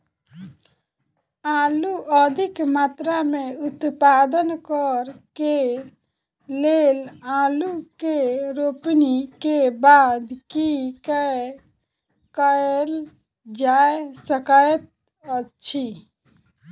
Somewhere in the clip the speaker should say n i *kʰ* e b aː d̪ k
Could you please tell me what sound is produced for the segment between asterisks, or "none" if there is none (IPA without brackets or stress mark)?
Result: k